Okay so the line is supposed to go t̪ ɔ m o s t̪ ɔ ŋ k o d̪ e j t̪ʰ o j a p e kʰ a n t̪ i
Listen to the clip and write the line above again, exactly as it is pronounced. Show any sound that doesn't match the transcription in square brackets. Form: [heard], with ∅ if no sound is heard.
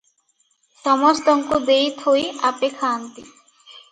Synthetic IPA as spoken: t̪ ɔ m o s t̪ ɔ ŋ k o d̪ e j t̪ʰ o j a p e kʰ a n t̪ i